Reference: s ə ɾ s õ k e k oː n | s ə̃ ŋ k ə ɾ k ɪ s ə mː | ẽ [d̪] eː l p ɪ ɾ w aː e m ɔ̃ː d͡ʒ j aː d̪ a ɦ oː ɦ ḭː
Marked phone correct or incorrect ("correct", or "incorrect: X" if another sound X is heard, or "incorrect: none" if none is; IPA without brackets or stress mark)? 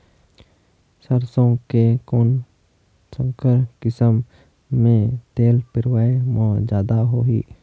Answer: incorrect: t̪